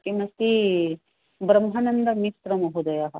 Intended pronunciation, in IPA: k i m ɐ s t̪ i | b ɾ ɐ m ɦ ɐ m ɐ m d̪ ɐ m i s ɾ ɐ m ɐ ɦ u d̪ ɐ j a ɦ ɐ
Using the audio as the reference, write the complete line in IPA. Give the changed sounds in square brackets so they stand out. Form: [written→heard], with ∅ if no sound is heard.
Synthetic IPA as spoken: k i m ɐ s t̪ i | b ɾ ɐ m ɦ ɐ [m→n] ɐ [m→n] d̪ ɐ m i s ɾ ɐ m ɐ ɦ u d̪ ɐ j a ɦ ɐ